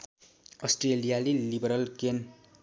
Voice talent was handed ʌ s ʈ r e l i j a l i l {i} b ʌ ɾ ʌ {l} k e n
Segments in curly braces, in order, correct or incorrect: correct, correct

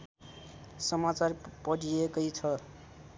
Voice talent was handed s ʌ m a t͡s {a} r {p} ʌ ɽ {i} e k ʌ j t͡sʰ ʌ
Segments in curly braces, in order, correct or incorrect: correct, correct, correct

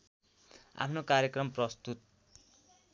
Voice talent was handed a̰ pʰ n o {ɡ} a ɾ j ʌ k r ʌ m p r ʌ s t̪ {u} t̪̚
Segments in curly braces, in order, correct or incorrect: incorrect: k, correct

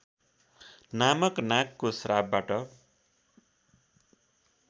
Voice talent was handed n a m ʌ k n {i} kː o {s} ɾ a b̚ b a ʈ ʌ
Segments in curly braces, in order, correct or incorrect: incorrect: a, correct

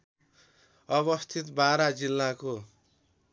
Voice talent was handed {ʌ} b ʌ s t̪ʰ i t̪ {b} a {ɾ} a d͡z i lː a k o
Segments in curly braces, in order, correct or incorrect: correct, correct, correct

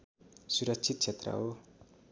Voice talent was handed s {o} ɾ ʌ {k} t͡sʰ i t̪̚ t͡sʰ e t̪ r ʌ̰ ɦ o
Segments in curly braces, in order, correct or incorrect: incorrect: u, correct

